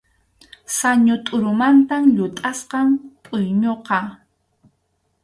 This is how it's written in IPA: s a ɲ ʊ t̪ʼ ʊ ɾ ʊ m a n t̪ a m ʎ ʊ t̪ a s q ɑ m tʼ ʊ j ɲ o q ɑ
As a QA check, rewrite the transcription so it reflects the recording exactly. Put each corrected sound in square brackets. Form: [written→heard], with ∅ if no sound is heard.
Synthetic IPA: s a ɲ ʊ t̪ʼ ʊ ɾ ʊ m a n t̪ a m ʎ ʊ [t̪→t̪ʼ] a s q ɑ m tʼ ʊ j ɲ o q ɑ